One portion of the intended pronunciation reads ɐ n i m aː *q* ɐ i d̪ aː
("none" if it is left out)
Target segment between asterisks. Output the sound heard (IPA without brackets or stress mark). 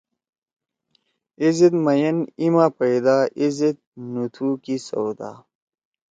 p